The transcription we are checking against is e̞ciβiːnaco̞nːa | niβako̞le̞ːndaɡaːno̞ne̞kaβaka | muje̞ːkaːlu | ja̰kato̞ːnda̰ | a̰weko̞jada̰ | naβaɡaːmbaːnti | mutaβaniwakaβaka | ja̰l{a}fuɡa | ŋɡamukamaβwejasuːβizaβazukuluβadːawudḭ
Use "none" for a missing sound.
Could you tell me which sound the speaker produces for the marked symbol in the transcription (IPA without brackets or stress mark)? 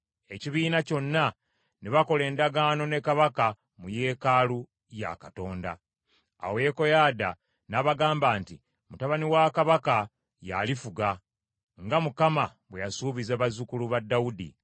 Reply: i